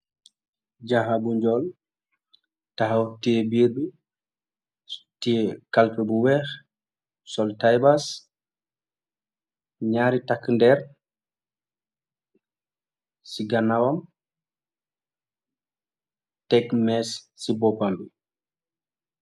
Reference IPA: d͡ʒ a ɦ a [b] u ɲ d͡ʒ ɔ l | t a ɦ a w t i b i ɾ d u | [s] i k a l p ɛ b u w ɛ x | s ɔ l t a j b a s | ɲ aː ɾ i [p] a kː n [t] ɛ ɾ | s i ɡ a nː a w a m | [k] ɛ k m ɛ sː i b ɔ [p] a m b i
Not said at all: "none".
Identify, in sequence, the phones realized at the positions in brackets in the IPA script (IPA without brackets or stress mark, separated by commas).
b, t, t, d, t, p